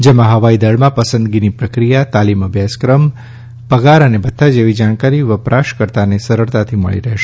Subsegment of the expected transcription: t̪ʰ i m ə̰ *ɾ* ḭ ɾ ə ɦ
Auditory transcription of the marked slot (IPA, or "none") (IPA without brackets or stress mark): ɭ